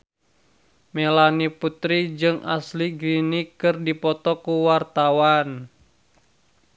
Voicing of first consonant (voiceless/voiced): voiced